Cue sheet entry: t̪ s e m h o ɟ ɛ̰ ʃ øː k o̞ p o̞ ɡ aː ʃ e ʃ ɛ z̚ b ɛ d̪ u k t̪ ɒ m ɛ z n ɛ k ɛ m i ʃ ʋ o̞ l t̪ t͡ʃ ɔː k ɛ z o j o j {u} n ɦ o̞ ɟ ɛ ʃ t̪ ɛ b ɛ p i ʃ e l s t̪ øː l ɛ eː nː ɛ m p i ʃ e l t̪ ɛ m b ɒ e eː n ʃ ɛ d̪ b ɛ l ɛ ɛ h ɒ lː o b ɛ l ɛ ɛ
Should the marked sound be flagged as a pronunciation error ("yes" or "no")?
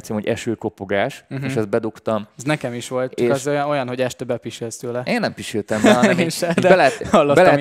yes